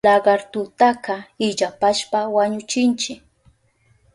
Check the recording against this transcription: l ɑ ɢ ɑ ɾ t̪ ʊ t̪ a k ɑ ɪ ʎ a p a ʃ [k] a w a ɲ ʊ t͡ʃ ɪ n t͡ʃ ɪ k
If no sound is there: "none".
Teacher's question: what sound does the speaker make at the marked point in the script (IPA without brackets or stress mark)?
p